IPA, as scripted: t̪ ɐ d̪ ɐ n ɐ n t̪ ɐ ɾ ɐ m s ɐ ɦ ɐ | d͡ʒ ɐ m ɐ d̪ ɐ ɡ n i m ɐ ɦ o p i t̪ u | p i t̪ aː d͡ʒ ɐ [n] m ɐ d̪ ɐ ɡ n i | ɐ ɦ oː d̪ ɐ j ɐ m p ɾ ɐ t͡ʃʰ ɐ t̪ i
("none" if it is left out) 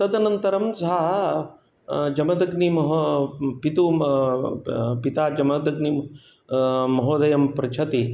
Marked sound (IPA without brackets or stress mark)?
none